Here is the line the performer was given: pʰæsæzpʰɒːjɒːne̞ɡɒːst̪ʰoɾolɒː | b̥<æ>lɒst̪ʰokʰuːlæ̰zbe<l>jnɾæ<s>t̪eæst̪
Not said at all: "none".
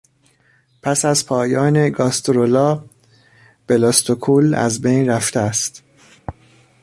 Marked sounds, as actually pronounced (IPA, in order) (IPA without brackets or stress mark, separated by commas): e, none, f